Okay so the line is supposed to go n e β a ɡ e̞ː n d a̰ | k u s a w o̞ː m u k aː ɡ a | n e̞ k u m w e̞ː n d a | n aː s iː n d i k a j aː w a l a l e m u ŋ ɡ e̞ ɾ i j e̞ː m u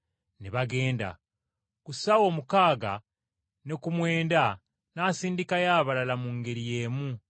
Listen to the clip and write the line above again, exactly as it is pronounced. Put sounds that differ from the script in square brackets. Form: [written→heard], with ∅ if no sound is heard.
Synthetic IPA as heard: n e β a ɡ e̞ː n d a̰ | k u s a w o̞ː m u k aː ɡ a | n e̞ k u m w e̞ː n d a | n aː s iː n d i k a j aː [w→β] a l a l [e→a] m u ŋ ɡ e̞ ɾ i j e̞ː m u